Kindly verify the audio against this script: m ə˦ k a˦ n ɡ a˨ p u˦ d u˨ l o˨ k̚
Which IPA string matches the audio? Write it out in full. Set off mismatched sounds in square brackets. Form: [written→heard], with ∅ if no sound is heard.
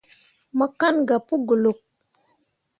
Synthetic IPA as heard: m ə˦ k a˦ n ɡ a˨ p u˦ [d→ɡ] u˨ l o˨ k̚

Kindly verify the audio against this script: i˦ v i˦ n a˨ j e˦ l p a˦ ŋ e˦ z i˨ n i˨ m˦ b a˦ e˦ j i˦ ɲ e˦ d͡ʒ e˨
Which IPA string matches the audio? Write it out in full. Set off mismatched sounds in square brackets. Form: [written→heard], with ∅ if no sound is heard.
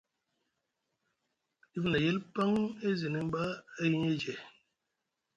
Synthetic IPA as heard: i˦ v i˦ n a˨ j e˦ l p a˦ ŋ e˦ z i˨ n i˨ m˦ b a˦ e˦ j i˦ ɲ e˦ d͡ʒ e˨

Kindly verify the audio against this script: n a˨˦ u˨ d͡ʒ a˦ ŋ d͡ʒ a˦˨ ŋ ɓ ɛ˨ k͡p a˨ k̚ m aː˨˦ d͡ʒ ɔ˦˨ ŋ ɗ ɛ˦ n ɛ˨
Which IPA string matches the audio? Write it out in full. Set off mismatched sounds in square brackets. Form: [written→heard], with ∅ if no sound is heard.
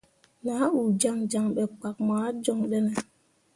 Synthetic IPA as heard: n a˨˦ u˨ d͡ʒ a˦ ŋ d͡ʒ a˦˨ ŋ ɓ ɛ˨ k͡p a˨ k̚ m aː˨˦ d͡ʒ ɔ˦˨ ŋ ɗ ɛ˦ n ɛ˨

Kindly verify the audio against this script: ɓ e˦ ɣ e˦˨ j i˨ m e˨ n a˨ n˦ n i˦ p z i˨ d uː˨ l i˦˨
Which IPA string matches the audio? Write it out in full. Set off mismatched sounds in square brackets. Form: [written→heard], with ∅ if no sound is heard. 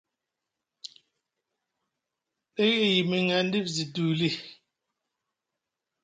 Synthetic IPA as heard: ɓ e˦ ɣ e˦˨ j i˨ m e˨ [n→ŋ] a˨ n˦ [n→d] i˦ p z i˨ d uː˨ l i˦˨

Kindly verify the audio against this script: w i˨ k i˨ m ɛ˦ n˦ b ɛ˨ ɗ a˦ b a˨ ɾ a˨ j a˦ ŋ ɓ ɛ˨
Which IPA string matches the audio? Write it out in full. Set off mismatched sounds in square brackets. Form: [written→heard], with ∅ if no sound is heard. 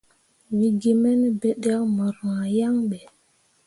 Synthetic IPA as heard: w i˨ [k→ɡ] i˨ m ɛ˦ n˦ b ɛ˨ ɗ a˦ [b→m] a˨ ɾ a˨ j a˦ ŋ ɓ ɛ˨

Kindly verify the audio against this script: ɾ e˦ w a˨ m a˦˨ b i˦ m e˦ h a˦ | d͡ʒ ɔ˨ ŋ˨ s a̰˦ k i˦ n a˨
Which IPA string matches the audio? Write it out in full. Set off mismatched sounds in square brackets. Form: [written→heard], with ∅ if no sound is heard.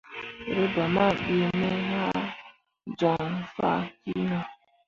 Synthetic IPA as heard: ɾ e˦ [w→b] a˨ m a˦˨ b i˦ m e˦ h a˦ | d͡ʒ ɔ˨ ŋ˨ [s→f] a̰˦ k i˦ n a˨

